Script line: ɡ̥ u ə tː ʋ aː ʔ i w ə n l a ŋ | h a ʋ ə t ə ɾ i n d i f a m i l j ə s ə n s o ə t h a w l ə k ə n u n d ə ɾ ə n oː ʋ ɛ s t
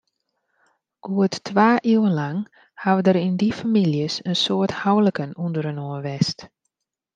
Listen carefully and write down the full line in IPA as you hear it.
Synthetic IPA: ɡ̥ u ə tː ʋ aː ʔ i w ə n l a ŋ | h a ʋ ə d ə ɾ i n d i f a m i l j ə s ə n s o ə t h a w l ə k ə n u n d ə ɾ ə n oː ʋ ɛ s t